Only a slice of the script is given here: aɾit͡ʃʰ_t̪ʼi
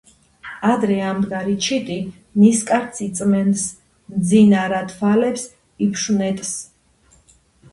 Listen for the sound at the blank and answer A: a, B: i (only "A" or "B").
B